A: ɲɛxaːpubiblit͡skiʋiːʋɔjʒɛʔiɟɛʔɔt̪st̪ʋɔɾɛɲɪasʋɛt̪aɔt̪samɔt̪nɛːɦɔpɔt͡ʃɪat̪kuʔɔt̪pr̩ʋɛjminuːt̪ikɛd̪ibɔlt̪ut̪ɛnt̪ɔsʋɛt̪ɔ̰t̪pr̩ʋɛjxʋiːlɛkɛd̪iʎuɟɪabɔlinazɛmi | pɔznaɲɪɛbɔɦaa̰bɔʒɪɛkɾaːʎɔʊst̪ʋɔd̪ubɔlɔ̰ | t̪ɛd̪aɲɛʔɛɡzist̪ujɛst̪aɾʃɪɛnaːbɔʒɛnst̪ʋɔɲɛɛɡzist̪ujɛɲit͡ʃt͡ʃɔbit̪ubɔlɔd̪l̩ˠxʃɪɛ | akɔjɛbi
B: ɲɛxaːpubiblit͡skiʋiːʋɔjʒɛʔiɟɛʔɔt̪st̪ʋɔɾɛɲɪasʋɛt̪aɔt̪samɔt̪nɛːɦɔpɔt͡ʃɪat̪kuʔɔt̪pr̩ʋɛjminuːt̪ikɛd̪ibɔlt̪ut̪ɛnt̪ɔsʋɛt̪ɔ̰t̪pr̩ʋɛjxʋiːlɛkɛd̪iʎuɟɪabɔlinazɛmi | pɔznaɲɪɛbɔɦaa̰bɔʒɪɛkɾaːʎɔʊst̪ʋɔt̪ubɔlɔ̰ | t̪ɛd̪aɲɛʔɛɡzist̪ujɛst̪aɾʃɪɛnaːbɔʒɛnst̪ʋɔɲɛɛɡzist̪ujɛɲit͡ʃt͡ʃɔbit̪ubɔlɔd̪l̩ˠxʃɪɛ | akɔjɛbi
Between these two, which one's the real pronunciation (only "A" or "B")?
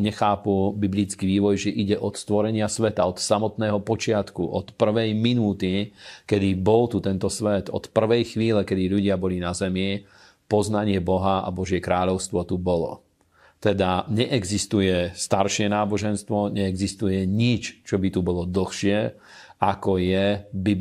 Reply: B